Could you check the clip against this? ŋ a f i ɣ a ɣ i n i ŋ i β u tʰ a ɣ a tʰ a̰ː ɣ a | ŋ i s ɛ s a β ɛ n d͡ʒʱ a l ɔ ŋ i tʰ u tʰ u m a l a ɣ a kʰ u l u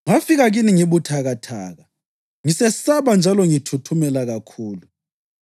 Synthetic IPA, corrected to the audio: ŋ a f i ɣ a ɣ i n i ŋ i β u tʰ a ɣ a tʰ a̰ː ɣ a | ŋ i s ɛ s a β a n d͡ʒʱ a l ɔ ŋ i tʰ u tʰ u m ɛ l a ɣ a kʰ uː l u